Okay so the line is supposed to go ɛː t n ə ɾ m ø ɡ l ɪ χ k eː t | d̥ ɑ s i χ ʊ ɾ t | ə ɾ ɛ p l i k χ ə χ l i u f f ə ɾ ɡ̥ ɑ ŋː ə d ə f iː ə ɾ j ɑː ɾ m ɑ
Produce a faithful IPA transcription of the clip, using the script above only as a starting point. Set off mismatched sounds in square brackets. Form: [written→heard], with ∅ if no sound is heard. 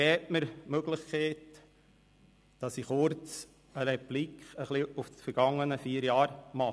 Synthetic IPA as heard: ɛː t [n→m] ə ɾ m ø ɡ l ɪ χ k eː t | d̥ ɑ s i χ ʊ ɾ [t→t͡s] | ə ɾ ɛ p l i k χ ə χ l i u f f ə ɾ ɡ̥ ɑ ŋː ə [d→n] ə f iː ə ɾ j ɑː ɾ m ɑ